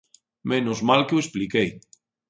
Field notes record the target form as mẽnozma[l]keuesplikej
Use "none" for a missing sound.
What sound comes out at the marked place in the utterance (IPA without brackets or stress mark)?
l